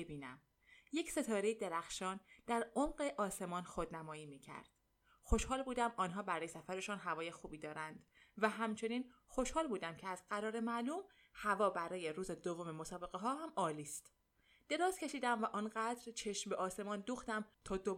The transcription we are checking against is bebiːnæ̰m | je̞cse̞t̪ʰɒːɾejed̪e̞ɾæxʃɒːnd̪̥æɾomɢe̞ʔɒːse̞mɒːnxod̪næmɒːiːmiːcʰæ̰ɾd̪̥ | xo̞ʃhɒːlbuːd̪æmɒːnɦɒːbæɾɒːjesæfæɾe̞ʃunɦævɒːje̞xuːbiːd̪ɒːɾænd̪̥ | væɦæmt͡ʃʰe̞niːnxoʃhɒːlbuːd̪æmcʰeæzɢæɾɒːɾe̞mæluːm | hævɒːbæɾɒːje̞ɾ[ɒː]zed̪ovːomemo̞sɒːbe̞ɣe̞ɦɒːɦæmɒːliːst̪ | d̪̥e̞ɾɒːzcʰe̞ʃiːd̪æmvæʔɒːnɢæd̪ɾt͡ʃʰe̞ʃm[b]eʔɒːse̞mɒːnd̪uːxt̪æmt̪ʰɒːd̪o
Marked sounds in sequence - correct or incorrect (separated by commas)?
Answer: incorrect, correct